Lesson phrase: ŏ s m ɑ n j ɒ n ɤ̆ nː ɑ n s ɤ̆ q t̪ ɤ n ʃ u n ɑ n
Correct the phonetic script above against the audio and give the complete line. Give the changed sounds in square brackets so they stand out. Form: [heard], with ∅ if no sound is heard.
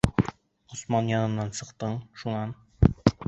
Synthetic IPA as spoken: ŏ s m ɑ n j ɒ n ɤ̆ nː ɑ n s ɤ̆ q t̪ ɤ [ɴ] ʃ u n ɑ n